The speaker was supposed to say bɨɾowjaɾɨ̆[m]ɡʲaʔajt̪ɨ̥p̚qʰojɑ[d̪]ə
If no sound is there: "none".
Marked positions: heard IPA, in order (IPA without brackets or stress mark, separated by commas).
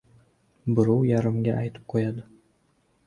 m, d̪